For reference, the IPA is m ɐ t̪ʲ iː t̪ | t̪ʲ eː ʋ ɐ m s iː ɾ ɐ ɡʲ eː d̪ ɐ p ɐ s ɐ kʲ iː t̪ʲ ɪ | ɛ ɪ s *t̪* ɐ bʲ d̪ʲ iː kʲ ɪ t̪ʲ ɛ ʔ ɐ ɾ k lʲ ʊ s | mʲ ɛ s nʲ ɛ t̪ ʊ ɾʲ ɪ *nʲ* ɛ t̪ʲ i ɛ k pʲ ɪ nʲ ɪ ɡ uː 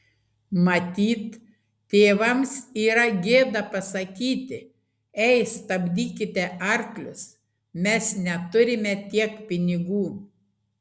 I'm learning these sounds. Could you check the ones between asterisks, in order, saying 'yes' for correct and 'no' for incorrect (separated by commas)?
yes, no